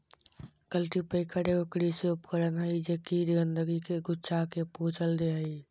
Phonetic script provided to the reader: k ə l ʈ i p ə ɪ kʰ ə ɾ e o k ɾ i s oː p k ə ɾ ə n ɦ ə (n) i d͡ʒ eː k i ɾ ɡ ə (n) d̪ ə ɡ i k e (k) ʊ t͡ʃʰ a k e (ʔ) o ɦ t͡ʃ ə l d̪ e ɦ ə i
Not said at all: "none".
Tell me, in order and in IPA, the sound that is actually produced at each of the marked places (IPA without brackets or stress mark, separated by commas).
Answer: none, n, ɡ, p